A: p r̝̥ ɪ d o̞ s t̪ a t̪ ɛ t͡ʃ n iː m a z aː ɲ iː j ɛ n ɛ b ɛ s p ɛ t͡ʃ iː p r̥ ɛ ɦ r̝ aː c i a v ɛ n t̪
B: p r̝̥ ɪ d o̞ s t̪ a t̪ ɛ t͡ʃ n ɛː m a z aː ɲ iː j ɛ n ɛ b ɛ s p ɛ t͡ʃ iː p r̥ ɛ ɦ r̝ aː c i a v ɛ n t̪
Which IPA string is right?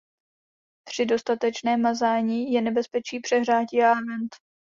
B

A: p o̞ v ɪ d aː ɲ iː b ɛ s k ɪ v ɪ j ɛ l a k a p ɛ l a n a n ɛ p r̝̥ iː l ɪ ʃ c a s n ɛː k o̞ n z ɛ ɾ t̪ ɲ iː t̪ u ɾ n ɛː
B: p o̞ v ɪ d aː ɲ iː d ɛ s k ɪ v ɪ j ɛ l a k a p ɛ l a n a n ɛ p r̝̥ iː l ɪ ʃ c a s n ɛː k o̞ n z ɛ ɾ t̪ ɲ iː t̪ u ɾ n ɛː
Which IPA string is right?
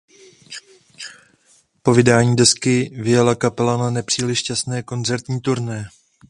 B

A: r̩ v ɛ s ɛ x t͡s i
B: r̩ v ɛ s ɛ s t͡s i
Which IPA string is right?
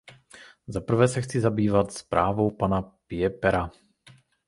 A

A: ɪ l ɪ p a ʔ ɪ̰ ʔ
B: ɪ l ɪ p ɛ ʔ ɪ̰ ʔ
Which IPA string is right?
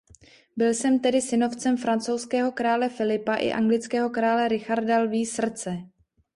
A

